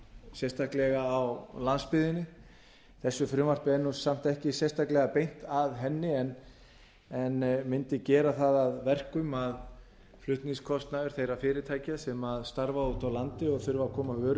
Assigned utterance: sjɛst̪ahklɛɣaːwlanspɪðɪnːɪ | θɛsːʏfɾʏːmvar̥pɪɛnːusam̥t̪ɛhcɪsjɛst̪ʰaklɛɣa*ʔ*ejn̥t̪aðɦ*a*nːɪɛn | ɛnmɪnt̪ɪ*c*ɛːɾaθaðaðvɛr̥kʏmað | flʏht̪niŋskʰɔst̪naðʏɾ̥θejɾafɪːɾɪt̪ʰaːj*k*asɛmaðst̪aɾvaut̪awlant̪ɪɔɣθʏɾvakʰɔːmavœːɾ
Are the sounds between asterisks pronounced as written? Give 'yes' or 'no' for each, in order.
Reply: no, no, yes, no

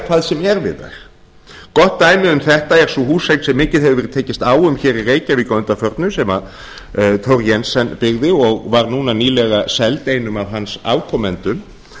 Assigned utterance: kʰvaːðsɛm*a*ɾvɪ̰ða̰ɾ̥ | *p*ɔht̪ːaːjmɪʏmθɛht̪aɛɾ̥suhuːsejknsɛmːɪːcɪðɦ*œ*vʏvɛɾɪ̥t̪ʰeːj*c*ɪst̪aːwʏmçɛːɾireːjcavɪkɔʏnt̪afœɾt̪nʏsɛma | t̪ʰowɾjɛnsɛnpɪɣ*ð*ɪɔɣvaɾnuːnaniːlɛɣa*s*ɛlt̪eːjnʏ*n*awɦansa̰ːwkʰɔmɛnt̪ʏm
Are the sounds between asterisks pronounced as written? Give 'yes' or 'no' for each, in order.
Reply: no, no, no, yes, yes, yes, no

